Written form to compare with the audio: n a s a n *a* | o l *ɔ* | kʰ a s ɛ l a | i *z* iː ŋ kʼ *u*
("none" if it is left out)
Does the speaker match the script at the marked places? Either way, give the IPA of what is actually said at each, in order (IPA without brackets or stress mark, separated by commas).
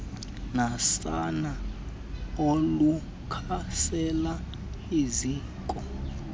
a, u, z, ɔ